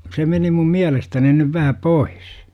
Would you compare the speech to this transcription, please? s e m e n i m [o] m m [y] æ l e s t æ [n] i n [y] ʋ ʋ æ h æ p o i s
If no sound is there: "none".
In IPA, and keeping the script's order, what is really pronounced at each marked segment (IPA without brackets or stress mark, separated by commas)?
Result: u, i, n, y